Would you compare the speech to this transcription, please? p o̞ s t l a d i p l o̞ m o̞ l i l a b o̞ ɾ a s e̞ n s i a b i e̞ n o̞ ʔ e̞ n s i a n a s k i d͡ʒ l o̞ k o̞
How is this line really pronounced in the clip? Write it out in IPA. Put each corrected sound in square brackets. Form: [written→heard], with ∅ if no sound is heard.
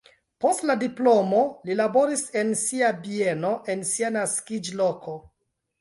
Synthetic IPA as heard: p o̞ s t l a d i p l o̞ m o̞ l i l a b o̞ ɾ [a→i] s e̞ n s i a b i e̞ n o̞ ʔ e̞ n s i a n a s k i d͡ʒ l o̞ k o̞